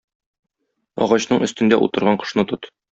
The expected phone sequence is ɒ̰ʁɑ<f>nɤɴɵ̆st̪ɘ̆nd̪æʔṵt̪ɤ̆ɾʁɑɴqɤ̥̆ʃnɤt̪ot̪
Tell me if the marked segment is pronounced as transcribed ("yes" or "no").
no